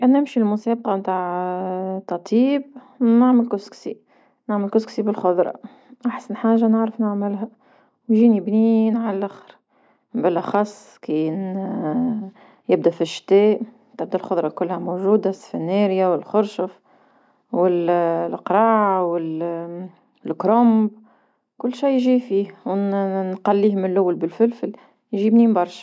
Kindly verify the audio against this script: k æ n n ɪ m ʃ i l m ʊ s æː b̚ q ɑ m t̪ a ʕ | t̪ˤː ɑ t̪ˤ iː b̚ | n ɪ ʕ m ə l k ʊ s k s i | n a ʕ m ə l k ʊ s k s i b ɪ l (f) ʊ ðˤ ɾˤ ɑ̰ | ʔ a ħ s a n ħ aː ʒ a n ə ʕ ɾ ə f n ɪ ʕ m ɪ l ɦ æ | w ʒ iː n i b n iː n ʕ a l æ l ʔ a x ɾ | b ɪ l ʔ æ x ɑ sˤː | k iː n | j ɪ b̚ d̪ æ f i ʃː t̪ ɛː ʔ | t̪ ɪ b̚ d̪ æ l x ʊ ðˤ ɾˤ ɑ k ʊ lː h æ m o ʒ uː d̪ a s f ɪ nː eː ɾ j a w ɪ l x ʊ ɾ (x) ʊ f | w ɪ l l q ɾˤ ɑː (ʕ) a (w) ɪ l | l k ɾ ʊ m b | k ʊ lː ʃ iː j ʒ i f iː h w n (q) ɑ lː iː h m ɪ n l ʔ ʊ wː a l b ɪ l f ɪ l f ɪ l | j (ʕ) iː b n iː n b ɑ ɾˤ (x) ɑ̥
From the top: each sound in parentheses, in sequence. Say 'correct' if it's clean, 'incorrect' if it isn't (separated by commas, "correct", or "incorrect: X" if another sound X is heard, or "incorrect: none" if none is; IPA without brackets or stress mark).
incorrect: x, incorrect: ʃ, correct, correct, correct, incorrect: ʒ, incorrect: ʃ